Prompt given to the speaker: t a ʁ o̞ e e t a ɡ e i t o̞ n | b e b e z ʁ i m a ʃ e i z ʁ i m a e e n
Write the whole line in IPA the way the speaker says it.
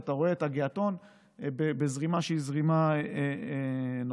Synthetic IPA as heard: t a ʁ o̞ e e t a ɡ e a t o̞ n | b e b e z ʁ i m a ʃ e i z ʁ i m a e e n